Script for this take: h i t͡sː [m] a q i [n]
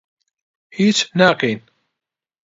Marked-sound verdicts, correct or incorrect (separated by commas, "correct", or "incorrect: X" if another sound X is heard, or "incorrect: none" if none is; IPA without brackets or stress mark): incorrect: n, correct